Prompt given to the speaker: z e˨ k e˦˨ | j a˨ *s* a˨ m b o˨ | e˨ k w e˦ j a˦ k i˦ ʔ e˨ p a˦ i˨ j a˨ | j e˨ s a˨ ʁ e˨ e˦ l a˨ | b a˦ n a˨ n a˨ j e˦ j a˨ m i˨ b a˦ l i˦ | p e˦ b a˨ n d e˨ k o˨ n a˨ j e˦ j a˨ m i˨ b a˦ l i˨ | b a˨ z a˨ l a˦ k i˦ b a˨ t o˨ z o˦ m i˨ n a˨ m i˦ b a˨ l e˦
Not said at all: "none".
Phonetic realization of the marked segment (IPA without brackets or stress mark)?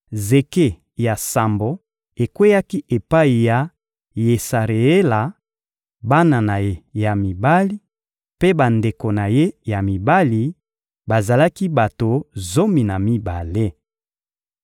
s